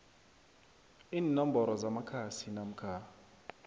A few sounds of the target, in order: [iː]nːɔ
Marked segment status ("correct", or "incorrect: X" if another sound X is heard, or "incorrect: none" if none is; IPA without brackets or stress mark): correct